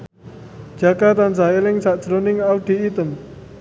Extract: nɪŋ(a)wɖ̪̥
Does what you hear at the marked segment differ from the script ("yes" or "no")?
no